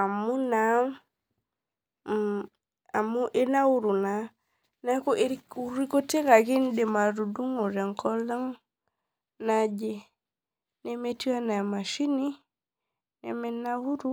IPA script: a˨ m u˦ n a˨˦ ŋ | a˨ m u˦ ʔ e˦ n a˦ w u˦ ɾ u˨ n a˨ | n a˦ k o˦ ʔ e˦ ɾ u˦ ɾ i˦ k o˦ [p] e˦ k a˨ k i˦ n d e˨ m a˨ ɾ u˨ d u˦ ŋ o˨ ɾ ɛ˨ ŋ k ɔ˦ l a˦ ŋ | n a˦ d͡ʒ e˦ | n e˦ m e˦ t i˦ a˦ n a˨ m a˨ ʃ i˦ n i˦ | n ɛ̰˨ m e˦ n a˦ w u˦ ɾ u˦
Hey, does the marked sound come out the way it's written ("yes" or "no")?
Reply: no